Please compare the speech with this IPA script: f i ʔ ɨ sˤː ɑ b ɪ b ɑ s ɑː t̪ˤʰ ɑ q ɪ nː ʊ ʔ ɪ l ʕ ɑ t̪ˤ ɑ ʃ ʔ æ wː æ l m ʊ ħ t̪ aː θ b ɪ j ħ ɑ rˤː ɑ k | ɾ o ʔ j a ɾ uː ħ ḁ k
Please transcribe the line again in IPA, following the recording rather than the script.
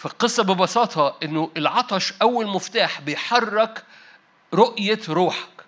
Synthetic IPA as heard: f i q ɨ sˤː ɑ b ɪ b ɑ s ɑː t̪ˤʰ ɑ ʔ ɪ nː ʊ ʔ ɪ l ʕ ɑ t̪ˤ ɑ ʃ ʔ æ wː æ l m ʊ f t̪ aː ħ b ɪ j ħ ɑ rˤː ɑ k | ɾ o ʔ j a ɾ uː ħ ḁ k